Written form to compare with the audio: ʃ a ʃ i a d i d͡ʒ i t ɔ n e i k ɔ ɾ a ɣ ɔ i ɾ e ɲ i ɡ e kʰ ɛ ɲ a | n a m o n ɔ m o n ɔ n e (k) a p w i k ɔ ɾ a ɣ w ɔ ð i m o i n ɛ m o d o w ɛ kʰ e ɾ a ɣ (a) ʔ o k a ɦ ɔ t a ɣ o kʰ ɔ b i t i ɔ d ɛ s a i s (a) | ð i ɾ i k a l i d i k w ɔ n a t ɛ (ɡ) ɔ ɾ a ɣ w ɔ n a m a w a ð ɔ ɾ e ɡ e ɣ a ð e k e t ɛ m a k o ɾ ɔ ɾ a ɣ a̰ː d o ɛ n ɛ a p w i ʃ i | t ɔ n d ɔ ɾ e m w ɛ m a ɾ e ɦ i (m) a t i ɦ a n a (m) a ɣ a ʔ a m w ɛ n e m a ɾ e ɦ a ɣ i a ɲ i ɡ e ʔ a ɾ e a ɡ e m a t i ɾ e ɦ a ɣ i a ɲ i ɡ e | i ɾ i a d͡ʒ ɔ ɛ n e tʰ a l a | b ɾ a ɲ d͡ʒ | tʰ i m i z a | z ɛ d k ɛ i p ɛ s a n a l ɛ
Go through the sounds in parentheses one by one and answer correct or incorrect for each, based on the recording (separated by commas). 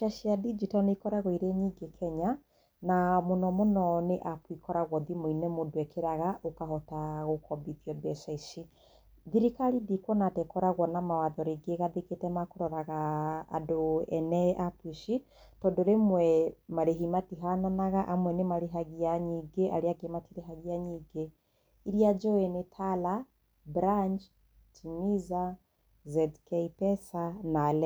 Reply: incorrect, correct, incorrect, incorrect, correct, incorrect